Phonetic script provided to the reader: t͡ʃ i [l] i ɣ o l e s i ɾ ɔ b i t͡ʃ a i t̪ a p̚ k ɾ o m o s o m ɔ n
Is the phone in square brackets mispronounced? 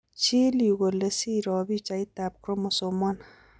no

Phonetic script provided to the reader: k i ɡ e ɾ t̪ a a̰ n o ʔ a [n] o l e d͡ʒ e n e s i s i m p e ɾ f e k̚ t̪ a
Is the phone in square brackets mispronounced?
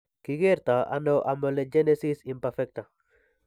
yes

